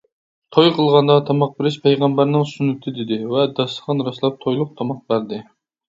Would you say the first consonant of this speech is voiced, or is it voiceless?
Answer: voiceless